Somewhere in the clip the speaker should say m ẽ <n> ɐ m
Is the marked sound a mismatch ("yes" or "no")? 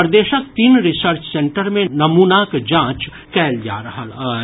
no